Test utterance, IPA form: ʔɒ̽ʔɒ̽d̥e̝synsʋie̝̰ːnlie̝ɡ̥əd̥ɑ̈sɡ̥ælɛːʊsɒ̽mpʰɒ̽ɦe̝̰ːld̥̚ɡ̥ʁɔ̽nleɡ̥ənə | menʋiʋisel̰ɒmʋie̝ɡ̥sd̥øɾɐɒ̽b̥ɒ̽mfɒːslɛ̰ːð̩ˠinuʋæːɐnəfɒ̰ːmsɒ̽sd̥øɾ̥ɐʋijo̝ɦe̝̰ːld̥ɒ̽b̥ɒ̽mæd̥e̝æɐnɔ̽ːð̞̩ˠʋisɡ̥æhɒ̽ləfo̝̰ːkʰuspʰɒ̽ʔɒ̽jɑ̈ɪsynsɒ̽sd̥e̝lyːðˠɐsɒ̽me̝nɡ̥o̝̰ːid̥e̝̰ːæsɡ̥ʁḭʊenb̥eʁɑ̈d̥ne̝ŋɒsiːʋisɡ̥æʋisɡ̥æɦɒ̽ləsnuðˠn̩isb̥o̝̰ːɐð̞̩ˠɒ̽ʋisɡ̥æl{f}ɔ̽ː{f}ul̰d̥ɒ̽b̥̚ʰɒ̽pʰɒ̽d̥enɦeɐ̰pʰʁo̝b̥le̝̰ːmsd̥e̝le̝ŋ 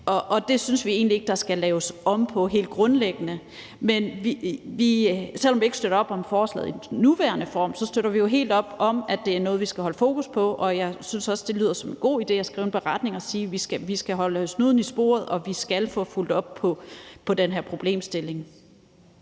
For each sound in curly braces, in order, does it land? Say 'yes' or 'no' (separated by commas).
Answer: yes, yes